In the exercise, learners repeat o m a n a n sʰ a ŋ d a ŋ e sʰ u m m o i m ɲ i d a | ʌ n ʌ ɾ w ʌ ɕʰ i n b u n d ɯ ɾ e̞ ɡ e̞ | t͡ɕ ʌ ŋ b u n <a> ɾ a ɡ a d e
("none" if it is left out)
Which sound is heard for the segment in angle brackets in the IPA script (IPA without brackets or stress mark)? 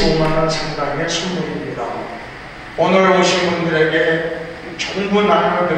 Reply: a